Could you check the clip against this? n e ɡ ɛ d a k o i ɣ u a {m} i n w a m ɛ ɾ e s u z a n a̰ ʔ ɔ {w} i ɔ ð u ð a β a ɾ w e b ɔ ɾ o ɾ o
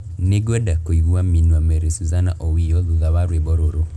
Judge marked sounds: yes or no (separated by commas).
yes, yes